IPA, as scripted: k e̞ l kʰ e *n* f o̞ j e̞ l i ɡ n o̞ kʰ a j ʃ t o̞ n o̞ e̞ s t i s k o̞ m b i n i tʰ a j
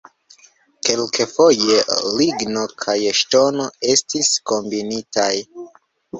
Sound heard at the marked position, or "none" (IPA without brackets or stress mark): none